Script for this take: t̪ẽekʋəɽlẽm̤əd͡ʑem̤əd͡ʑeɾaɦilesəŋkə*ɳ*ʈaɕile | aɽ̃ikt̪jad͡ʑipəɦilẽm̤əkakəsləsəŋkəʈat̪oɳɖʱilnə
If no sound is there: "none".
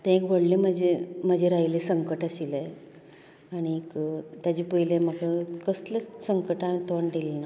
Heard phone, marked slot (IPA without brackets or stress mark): none